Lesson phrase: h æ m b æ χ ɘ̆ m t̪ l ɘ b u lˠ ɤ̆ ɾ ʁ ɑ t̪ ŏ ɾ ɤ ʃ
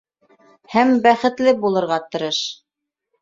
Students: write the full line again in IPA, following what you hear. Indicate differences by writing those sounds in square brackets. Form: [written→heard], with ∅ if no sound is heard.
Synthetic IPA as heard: h æ m b æ χ ɘ̆ [m→∅] t̪ l ɘ b u lˠ ɤ̆ ɾ ʁ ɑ t̪ [ŏ→ɤ̆] ɾ ɤ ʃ

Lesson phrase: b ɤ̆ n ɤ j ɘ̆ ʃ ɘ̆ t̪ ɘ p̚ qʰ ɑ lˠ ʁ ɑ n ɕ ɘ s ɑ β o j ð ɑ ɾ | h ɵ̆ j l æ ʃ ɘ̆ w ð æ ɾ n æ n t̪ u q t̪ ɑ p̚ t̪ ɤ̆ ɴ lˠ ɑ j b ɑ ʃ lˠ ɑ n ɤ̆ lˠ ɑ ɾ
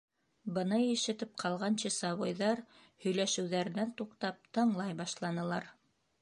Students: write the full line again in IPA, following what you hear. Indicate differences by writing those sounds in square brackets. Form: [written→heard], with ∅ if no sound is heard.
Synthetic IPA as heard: b ɤ̆ n ɤ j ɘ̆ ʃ ɘ̆ t̪ ɘ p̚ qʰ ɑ lˠ ʁ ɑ n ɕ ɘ s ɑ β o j ð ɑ ɾ | h ɵ̆ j l æ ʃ ɘ̆ w ð æ ɾ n æ n t̪ u q t̪ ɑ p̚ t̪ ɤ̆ ɴ lˠ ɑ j b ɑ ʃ lˠ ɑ n ɤ̆ lˠ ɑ ɾ

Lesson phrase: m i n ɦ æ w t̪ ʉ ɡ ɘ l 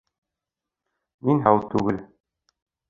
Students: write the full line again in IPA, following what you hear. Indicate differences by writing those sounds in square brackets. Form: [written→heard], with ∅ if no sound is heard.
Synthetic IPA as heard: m i n ɦ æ w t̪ ʉ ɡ ɘ l

